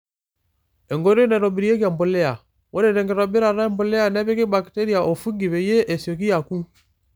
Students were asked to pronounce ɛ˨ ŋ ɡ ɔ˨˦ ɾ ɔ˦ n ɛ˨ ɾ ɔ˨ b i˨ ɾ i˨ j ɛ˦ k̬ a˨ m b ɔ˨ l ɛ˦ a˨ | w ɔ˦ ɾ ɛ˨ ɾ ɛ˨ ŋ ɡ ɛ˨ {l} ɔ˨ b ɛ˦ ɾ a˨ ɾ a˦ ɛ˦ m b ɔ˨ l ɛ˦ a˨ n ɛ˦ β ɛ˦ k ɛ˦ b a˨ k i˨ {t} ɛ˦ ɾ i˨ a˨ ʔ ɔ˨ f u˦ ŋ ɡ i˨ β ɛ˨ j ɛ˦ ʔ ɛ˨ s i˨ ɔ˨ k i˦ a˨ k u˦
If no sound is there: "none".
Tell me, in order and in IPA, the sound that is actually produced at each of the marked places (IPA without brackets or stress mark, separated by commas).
ɾ, t